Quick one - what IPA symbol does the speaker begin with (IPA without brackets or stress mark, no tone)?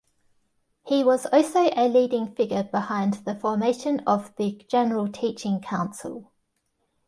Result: h